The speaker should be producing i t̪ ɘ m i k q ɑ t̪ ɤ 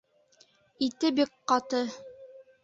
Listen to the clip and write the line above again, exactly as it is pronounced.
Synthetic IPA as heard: i t̪ ɘ b i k q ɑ t̪ ɤ